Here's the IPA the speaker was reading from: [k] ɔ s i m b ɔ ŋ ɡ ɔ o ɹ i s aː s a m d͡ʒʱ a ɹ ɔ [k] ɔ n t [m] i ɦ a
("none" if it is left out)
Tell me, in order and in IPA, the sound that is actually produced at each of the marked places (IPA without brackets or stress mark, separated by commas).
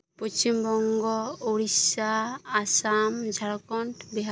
p, k, b